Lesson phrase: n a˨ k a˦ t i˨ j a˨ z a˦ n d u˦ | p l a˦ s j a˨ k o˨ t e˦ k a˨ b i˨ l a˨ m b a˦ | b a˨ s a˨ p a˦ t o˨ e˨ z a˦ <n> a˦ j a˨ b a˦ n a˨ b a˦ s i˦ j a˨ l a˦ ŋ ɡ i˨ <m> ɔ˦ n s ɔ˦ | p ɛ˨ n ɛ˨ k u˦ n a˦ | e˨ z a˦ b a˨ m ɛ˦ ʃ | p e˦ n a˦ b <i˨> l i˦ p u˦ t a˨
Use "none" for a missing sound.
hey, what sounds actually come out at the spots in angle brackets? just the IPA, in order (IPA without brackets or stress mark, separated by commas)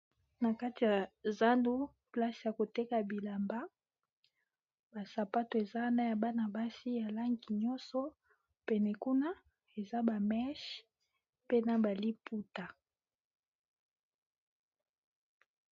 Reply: n, ɲ, a˨